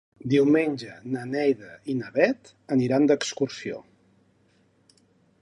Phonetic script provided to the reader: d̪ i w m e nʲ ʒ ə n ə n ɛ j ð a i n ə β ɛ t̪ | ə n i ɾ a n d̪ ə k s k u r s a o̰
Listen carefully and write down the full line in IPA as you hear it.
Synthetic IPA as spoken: d̪ i w m e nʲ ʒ ə n ə n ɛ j ð ə i n ə β ɛ t̪ | ə n i ɾ a n d̪ ə k s k u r s i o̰